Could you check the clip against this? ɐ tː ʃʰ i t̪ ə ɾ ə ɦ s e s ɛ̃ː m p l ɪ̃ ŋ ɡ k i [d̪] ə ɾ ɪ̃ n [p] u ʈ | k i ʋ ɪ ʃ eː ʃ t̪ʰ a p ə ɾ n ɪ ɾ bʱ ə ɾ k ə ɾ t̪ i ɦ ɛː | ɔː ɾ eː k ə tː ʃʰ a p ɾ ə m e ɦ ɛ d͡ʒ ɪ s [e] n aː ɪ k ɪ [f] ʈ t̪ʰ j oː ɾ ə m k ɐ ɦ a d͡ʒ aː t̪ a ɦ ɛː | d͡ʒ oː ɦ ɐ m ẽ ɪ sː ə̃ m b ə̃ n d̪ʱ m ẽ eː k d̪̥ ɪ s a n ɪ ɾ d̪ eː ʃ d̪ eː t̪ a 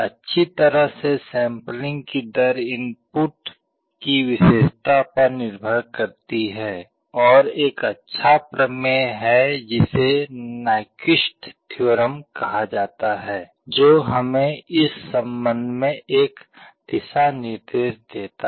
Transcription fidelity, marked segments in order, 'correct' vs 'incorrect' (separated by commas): correct, correct, correct, incorrect